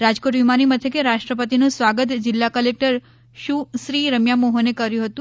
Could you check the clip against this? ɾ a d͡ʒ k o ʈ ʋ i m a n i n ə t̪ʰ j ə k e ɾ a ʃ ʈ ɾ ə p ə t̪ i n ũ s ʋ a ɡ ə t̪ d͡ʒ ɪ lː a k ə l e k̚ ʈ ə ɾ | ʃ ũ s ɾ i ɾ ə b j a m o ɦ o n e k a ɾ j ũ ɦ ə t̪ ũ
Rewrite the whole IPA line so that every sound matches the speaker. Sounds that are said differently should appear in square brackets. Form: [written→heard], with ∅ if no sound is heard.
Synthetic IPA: ɾ a d͡ʒ k o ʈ ʋ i m a n i [n→m] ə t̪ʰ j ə k e ɾ a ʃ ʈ ɾ ə p ə t̪ i n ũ s ʋ a ɡ ə t̪ d͡ʒ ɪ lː a k ə l e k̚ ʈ ə ɾ | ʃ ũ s ɾ i ɾ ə [b→m] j a m o ɦ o n e k [a→ə] ɾ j ũ ɦ ə t̪ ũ